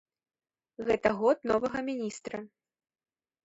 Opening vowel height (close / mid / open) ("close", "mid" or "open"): mid